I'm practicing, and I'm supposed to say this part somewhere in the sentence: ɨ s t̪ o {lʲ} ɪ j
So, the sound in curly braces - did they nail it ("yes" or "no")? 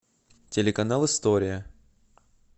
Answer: no